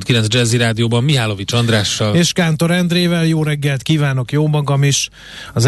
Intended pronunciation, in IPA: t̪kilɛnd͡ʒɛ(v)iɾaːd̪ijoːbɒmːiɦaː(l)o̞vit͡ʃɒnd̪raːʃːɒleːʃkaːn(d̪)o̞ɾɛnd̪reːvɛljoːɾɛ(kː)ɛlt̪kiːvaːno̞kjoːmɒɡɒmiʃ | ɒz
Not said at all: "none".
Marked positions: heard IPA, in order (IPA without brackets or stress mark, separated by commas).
z, l, t̪, ɡː